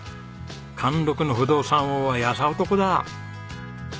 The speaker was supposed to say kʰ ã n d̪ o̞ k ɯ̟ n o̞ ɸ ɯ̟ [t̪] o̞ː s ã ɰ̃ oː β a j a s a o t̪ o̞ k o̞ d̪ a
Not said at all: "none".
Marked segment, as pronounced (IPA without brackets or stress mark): d̪